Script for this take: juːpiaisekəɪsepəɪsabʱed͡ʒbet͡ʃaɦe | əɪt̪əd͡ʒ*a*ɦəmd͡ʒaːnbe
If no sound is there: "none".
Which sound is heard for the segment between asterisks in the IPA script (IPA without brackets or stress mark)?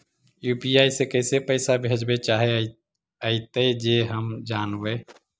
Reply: e